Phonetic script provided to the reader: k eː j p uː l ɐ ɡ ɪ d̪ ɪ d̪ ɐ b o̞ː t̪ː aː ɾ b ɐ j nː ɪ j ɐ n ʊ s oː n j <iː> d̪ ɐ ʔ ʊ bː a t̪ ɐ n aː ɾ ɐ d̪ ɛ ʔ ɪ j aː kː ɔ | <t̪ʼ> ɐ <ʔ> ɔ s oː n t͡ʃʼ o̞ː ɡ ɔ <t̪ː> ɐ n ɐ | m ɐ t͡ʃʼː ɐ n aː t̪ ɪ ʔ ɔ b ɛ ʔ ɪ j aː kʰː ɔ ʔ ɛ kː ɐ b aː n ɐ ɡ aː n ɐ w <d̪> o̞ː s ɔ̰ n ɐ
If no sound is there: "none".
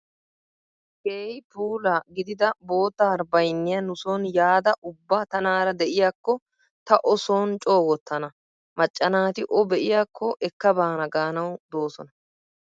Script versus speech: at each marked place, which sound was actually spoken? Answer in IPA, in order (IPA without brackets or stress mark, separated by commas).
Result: aː, t̪, ʔ, t̪ː, d̪